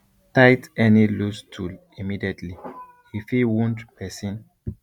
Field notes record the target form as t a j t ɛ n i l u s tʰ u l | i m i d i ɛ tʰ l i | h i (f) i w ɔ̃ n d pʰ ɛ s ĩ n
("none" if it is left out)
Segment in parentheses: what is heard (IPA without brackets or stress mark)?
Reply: f